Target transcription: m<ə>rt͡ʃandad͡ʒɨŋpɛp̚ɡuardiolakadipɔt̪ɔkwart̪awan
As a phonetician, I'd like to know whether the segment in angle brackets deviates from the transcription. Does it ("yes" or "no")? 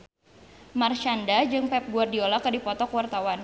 yes